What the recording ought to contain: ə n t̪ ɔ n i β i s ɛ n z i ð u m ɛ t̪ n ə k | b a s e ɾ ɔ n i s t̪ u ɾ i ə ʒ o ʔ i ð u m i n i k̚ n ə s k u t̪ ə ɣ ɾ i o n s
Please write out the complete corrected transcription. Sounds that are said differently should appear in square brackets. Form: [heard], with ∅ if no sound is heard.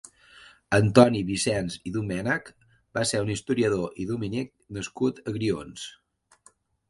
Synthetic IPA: ə n t̪ ɔ n i β i s ɛ n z i ð u m ɛ [∅] n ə k | b a s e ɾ [u] n i s t̪ u ɾ i ə [ð] o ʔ i ð u m i n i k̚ n ə s k u t̪ ə ɣ ɾ i o n s